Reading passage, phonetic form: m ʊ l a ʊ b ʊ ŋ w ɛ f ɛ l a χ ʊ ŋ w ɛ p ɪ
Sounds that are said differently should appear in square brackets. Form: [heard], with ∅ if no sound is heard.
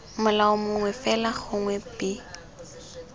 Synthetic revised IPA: m ʊ l a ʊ [m] ʊ ŋ w ɛ f ɛ l a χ ʊ ŋ w ɛ p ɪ